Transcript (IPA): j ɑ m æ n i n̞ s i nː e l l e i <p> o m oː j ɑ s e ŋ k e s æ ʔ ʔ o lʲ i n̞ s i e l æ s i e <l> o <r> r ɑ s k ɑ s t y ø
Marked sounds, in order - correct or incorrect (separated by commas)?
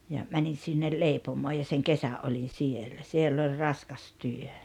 correct, incorrect, incorrect